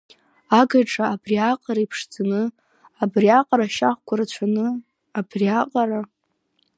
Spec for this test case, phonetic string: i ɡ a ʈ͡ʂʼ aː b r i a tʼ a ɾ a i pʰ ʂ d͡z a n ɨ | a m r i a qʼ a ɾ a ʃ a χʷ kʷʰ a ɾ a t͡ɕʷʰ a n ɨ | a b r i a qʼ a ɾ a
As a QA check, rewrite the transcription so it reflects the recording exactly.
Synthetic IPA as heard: a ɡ a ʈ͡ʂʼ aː b r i a qʼ a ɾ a i pʰ ʂ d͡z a n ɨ | a b r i a qʼ a ɾ a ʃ a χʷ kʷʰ a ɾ a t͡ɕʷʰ a n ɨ | a b r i a qʼ a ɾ a